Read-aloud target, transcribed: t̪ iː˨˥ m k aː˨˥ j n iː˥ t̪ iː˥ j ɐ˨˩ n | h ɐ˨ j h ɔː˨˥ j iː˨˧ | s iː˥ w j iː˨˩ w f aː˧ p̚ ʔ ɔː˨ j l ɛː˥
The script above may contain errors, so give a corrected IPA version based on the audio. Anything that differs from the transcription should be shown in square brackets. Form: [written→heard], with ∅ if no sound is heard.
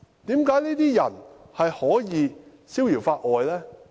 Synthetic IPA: t̪ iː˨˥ m k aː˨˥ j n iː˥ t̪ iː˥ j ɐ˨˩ n | h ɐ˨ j h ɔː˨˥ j iː˨˧ | s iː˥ w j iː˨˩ w f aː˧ [p̚→t̚] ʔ ɔː˨ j l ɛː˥